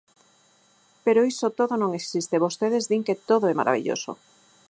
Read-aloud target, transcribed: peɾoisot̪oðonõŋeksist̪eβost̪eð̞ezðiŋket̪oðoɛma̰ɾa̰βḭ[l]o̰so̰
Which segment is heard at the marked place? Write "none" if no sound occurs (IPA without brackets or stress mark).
ʎ